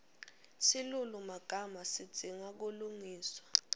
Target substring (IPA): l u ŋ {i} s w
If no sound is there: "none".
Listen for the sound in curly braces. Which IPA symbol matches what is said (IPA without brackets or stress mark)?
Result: iː